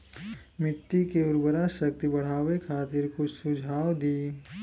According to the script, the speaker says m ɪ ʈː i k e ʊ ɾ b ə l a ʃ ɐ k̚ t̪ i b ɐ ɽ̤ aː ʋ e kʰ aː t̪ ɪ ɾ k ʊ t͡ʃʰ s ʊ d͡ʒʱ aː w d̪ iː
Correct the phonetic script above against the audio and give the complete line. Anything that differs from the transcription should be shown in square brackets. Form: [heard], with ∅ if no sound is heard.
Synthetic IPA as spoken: m ɪ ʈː i k e ʊ ɾ b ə [ɾ] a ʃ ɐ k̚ t̪ i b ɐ ɽ̤ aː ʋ e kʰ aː t̪ ɪ ɾ k ʊ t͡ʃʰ s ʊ d͡ʒʱ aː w d̪ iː